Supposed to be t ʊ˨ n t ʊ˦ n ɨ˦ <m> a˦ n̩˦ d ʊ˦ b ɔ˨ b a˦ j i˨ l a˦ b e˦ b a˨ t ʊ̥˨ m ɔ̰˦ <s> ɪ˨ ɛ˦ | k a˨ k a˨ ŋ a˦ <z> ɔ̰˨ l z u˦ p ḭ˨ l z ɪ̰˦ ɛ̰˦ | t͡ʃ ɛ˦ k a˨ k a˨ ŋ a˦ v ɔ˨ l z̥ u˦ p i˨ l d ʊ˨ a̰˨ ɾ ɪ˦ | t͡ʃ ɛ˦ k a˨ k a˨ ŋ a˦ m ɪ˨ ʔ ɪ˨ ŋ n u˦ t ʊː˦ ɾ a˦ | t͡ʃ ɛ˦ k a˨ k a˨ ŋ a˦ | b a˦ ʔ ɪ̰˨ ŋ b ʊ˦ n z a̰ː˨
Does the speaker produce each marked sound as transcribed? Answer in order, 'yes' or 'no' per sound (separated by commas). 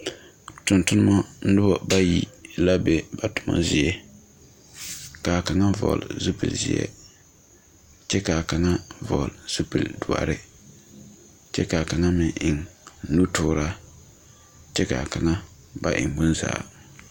yes, no, no